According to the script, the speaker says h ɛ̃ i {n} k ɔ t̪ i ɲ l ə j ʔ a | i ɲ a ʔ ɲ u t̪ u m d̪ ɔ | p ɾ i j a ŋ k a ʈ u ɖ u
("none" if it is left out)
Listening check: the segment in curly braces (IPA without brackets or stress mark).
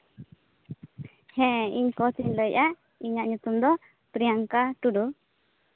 ɲ